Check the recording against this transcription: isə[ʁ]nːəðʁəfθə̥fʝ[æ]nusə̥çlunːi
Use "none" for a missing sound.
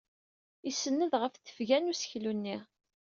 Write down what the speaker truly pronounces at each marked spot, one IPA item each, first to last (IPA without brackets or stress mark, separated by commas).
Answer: none, æ